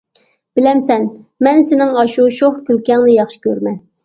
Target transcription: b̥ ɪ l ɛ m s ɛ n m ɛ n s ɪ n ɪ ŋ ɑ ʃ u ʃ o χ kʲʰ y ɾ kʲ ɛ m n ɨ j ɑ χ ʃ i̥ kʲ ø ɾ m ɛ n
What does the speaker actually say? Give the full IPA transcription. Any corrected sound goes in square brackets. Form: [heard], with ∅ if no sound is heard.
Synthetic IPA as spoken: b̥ ɪ l ɛ m s ɛ n m ɛ n s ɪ n ɪ ŋ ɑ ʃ u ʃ o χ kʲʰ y [l] kʲ ɛ [ŋ] n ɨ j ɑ χ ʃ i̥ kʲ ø ɾ m ɛ n

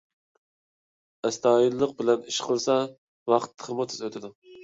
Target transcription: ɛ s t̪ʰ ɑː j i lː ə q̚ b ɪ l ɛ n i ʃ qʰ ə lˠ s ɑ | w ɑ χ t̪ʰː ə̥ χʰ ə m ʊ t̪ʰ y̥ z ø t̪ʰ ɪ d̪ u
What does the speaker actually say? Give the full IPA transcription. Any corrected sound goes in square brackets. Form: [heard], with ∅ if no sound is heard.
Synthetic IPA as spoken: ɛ s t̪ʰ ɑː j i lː ə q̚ b ɪ l ɛ n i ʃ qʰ ə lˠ s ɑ | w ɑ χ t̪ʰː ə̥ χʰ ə m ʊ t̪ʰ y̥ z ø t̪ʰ ɪ d̪ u

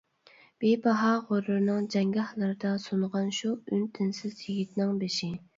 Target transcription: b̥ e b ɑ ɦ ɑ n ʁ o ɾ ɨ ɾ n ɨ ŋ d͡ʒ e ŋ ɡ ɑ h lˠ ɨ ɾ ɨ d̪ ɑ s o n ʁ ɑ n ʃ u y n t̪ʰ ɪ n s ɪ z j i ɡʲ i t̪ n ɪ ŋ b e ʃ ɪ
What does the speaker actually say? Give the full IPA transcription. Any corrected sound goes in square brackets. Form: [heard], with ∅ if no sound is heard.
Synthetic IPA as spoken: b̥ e b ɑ ɦ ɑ [∅] ʁ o ɾ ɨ ɾ n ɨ ŋ d͡ʒ [ɛ] ŋ ɡ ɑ h lˠ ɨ ɾ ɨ d̪ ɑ s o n ʁ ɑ n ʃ u y n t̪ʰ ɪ n s ɪ z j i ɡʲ i t̪ n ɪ ŋ b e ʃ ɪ

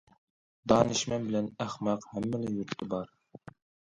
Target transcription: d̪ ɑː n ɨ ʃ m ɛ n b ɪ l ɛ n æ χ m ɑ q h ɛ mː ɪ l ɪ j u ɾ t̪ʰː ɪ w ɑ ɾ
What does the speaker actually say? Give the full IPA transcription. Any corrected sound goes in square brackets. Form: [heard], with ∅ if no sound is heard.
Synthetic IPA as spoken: d̪ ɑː n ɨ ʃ m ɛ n b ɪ l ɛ n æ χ m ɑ q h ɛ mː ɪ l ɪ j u ɾ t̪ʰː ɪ [b] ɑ ɾ

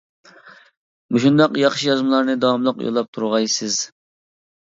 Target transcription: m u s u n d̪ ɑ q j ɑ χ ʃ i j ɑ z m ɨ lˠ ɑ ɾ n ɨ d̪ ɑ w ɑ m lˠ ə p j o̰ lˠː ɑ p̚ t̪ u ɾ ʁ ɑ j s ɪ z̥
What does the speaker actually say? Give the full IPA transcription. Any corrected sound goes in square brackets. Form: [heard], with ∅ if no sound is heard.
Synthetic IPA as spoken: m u [ʃ] u n d̪ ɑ q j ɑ χ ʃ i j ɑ z m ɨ lˠ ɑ ɾ n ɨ d̪ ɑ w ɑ m lˠ ə [q] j o̰ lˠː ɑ p̚ [t̪ʰ] u ɾ ʁ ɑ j s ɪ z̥

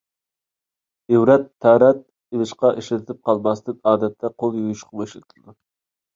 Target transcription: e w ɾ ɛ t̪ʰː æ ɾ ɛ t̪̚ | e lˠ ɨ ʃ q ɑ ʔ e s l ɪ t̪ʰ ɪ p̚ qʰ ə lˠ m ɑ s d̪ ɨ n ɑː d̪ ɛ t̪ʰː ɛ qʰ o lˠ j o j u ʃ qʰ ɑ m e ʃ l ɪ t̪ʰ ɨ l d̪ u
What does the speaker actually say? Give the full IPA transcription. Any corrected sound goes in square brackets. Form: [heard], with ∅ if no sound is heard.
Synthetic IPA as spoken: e w ɾ ɛ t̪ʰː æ ɾ ɛ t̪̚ | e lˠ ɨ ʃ q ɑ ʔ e [ʃ] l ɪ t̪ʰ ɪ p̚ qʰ [ɑ] lˠ m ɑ s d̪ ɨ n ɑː d̪ ɛ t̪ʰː ɛ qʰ o lˠ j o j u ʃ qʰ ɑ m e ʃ l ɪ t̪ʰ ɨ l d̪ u

